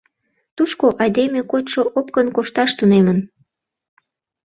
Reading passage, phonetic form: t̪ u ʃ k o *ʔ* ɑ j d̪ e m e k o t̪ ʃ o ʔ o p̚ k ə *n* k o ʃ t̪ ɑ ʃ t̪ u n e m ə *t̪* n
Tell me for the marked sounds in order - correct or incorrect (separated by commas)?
correct, correct, incorrect